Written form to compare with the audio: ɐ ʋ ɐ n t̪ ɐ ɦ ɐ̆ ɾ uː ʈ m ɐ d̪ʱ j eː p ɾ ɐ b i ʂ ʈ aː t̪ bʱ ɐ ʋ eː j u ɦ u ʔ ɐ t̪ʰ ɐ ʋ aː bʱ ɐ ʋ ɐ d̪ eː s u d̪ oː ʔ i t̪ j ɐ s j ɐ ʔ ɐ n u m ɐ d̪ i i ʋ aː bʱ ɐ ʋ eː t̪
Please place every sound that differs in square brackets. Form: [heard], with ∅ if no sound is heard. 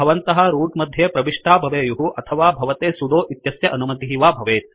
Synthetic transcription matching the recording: ɐ ʋ ɐ n t̪ ɐ ɦ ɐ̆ ɾ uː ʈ m ɐ d̪ʱ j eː p ɾ ɐ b i ʂ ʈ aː [∅] bʱ ɐ ʋ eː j u ɦ u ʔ ɐ t̪ʰ ɐ ʋ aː bʱ ɐ ʋ ɐ [t̪] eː s u d̪ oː ʔ i t̪ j ɐ s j ɐ ʔ ɐ n u m ɐ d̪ i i ʋ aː bʱ ɐ ʋ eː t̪